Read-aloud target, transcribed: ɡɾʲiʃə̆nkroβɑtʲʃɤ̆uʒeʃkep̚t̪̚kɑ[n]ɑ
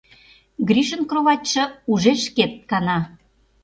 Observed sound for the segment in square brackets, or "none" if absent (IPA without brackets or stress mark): n